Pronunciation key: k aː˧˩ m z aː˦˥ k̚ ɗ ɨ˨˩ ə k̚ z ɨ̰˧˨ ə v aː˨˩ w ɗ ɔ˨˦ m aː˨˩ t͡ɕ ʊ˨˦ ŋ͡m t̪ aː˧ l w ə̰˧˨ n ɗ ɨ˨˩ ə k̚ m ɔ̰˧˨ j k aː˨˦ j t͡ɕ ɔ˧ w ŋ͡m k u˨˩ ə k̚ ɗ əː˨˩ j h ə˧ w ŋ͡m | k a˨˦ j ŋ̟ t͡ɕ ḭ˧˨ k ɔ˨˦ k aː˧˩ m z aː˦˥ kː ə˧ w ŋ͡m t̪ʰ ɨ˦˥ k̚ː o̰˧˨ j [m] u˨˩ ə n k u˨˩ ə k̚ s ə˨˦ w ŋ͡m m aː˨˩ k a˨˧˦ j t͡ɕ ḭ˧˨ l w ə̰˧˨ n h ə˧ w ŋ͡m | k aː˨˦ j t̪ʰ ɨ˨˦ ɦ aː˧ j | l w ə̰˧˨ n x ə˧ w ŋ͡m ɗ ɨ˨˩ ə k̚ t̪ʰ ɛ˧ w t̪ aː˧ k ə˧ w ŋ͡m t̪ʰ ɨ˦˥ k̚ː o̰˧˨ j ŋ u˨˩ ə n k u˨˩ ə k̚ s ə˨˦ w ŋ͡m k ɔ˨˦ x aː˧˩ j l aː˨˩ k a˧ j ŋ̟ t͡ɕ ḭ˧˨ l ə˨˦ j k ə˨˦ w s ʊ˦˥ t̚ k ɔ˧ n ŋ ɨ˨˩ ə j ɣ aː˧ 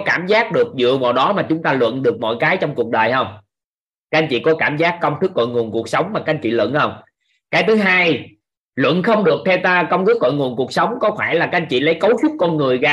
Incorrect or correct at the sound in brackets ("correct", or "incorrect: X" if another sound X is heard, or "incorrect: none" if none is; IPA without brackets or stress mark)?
incorrect: ŋ